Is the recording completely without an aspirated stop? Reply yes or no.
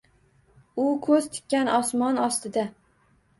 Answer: no